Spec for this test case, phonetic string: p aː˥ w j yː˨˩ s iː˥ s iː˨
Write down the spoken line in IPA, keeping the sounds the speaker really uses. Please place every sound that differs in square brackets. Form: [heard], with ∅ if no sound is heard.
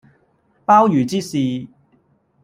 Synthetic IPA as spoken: p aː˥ w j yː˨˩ [t͡s] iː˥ s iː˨